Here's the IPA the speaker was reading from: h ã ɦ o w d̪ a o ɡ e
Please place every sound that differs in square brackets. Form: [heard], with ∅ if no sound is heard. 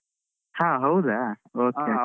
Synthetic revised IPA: h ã ɦ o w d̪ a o [k] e